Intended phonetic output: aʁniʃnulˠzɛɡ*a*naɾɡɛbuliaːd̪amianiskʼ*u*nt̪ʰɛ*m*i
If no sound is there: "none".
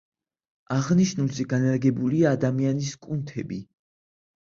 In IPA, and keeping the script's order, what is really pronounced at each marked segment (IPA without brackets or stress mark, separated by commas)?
a, u, b